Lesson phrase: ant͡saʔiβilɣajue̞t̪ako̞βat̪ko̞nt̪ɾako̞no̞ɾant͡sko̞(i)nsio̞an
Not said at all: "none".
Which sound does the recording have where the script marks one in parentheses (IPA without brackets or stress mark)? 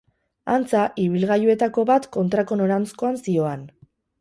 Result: a